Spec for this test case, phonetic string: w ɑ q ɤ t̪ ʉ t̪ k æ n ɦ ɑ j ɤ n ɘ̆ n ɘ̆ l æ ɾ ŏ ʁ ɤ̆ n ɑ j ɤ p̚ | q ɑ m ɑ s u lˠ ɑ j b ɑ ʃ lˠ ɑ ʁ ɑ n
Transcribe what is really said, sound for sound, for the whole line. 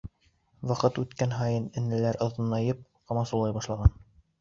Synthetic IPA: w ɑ q ɤ t̪ ʉ t̪ k æ n ɦ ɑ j ɤ n ɘ̆ n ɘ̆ l æ ɾ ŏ ð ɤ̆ n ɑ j ɤ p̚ | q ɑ m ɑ s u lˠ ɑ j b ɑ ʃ lˠ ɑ ʁ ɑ n